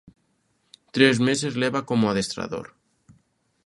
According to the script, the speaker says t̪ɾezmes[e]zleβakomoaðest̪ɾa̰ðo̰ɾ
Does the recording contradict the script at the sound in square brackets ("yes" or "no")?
no